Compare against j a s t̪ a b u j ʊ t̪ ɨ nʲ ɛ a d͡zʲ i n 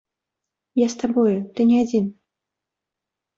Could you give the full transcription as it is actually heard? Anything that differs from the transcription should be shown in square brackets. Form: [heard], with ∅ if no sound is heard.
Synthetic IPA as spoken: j a s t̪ a b [ɔ] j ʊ t̪ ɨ nʲ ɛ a d͡zʲ i n